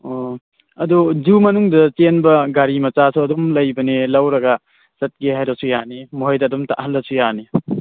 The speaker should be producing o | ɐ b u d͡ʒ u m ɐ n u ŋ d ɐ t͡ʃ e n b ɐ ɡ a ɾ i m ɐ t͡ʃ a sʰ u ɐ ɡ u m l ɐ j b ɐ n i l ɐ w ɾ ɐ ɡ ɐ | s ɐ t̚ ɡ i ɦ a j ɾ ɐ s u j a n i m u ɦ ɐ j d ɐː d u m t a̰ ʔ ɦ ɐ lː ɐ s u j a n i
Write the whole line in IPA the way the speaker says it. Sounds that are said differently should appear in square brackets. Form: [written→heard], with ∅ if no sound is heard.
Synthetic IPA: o | ɐ [b→d] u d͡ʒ u m ɐ n u ŋ d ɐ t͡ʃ e n b ɐ ɡ a ɾ i m ɐ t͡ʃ a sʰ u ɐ [ɡ→d] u m l ɐ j b ɐ n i l ɐ w ɾ ɐ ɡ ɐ | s ɐ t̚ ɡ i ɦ a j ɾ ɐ s u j a n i m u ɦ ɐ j d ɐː d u m t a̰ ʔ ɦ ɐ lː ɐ s u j a n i